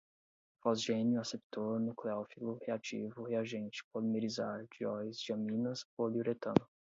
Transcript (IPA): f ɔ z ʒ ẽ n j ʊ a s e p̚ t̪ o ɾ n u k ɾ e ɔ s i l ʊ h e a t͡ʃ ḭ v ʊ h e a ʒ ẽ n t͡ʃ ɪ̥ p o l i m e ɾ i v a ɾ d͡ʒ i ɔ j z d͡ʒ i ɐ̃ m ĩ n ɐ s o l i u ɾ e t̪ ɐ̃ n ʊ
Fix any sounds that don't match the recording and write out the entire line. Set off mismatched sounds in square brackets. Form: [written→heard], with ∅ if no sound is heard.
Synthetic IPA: f ɔ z ʒ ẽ n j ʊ a s e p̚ t̪ o ɾ n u k [ɾ→l] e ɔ [s→f] i l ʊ h e a t͡ʃ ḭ v ʊ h e a ʒ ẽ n t͡ʃ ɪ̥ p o l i m e ɾ i [v→z] a ɾ d͡ʒ i ɔ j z d͡ʒ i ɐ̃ m ĩ n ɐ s o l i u ɾ e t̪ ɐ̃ n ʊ